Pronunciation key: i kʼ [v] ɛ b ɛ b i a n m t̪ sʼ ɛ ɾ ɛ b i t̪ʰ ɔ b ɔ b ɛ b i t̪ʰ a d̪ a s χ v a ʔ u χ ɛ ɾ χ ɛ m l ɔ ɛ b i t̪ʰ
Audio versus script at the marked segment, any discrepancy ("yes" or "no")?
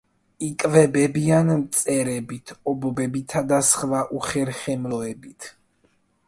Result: no